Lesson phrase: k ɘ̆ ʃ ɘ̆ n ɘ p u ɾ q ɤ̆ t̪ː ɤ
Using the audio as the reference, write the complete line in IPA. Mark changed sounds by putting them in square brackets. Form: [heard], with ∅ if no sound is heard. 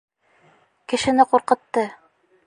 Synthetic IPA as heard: k ɘ̆ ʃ ɘ̆ n ɘ [q] u ɾ q ɤ̆ t̪ː ɤ